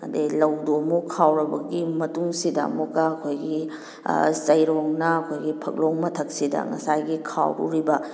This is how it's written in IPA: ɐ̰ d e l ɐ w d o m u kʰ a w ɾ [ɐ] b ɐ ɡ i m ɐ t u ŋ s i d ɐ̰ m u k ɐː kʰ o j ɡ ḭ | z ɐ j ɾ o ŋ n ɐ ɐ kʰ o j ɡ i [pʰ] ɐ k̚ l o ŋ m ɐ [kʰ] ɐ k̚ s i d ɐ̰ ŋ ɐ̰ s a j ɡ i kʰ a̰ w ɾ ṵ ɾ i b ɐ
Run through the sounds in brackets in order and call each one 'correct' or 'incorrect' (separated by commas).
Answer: correct, correct, incorrect